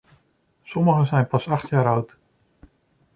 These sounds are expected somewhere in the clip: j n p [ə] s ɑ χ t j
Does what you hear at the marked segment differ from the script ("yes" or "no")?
yes